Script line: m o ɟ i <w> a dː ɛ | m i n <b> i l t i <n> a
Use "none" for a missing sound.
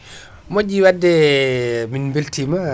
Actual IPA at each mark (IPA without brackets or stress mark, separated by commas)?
w, b, m